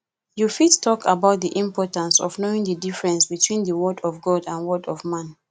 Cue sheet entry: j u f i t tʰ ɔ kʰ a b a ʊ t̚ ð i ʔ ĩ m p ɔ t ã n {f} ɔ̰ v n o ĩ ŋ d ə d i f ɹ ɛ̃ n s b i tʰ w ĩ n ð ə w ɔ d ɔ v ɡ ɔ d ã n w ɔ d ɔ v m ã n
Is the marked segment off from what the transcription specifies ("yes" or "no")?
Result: yes